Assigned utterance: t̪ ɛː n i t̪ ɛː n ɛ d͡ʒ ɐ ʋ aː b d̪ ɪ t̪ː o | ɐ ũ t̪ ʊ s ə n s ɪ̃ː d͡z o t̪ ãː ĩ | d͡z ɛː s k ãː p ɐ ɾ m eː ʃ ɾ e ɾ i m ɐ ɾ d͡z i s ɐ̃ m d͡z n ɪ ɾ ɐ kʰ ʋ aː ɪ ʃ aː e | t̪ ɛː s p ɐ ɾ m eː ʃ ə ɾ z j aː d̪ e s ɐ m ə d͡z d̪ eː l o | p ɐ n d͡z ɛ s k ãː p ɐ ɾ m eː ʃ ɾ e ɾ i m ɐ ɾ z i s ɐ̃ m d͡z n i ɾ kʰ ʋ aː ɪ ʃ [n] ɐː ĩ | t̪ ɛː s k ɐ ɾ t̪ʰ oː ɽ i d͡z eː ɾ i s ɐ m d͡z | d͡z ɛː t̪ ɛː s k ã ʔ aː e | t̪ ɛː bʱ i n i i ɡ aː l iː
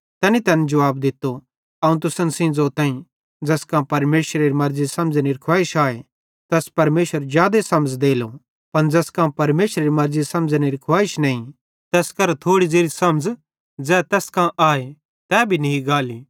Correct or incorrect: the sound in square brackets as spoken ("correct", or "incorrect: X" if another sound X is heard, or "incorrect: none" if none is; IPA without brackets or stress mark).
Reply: correct